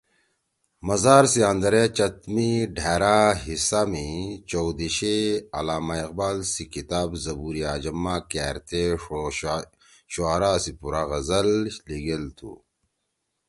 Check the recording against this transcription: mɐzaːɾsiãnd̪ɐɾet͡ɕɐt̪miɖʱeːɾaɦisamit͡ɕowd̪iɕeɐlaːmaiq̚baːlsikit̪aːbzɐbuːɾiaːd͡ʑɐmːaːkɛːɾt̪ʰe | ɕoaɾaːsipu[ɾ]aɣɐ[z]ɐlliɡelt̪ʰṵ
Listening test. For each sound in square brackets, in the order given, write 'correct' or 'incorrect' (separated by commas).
correct, correct